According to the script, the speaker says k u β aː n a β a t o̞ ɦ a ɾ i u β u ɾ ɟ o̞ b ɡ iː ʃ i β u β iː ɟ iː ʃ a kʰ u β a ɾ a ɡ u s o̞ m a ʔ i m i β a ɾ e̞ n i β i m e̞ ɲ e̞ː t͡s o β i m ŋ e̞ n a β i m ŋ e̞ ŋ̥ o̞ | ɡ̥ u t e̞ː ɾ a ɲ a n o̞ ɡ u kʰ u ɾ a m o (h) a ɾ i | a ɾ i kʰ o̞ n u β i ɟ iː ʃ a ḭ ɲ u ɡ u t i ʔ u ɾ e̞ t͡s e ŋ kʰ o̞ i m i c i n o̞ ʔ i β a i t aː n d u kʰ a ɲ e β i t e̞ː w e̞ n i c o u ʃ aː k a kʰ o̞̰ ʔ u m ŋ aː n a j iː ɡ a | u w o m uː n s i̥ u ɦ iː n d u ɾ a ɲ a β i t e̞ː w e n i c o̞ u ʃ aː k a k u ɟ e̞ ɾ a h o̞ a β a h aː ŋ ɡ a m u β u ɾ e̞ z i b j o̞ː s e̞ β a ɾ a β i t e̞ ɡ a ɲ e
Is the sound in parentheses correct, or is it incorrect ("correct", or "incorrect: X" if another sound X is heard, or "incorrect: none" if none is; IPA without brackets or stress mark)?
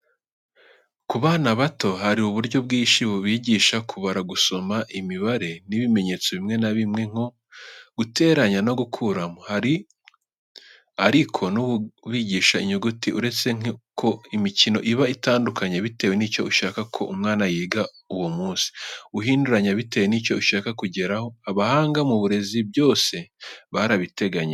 correct